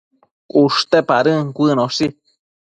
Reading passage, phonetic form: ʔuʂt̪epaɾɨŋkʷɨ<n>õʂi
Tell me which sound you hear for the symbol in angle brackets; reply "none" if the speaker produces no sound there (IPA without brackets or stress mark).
n